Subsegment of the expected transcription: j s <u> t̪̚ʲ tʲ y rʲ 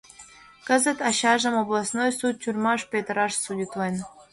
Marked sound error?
no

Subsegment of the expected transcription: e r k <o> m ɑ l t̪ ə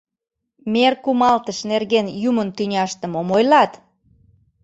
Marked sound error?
yes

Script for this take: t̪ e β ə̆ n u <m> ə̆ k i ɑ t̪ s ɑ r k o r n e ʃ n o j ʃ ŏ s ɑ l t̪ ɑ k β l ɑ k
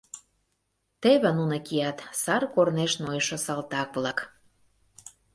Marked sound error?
yes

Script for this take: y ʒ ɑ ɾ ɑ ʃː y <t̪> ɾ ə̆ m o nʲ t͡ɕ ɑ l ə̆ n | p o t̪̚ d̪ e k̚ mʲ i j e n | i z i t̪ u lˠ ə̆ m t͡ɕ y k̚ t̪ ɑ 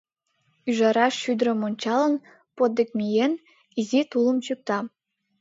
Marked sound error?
yes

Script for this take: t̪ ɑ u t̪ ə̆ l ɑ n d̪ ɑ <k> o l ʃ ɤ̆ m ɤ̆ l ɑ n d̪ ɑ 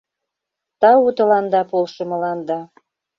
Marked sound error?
yes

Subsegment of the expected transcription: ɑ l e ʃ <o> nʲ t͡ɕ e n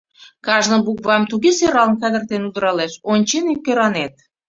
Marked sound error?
no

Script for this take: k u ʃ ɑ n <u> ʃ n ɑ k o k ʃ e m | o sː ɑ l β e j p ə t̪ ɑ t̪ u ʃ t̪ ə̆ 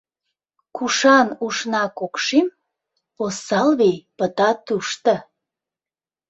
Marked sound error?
no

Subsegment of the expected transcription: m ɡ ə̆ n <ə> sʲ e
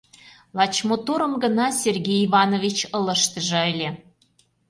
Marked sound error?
yes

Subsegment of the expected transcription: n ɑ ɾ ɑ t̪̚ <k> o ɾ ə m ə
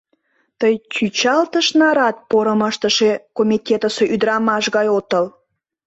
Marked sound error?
yes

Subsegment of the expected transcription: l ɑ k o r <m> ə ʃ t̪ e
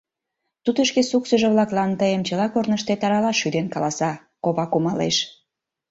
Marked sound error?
yes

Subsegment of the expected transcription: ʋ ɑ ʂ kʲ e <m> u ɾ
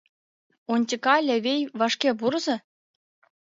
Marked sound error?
yes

